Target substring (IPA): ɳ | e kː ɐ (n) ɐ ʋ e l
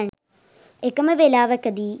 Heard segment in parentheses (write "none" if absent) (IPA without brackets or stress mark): m